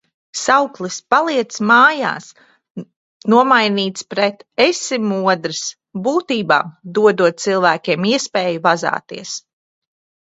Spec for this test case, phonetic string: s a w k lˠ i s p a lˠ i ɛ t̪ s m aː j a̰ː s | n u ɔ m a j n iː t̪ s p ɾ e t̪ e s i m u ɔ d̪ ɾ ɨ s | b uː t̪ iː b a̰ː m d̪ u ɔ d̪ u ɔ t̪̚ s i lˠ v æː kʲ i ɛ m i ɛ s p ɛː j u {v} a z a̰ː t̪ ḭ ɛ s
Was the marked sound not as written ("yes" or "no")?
no